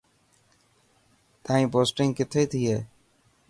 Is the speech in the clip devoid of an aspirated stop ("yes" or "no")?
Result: no